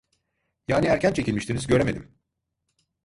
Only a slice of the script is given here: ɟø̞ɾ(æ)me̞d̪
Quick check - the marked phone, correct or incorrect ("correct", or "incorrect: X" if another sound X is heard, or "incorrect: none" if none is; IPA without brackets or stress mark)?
incorrect: e